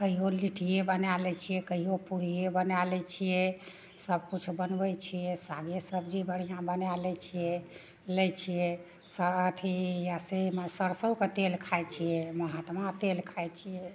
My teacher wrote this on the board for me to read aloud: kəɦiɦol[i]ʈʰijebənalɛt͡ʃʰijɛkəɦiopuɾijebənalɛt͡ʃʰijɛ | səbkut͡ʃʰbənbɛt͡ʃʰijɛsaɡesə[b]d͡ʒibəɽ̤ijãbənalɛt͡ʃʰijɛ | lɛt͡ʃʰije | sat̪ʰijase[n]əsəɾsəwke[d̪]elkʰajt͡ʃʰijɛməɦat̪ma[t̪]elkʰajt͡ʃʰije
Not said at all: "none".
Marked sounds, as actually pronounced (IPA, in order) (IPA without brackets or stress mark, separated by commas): i, b, m, t̪, t̪